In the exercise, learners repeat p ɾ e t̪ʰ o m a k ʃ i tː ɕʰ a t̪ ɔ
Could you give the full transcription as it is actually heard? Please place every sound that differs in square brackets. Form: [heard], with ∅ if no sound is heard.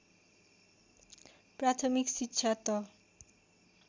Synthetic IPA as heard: p ɾ [a] t̪ʰ o m [i] k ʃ i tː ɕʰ a t̪ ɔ